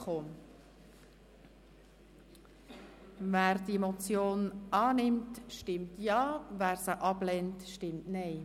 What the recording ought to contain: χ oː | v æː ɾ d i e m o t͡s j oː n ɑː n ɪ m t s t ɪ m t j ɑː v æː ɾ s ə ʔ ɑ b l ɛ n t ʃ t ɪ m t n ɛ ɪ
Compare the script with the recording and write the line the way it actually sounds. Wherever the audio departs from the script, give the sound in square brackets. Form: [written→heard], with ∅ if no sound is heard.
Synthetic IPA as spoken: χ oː | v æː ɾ d i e m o t͡s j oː n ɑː n ɪ m t [s→ʃ] t ɪ m t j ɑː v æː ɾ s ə ʔ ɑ b l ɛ n t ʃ t ɪ m t n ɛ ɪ